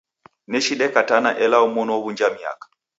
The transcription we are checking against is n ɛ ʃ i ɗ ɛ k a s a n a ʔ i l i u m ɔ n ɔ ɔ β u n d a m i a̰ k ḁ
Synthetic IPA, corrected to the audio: n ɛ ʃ i ɗ ɛ k a t a n a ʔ ɛ l a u m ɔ n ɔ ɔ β u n d͡ʒ a m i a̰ k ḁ